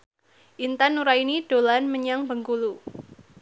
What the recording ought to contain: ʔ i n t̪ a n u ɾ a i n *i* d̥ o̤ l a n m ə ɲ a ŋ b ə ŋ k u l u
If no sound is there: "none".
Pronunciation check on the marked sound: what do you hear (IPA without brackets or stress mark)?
i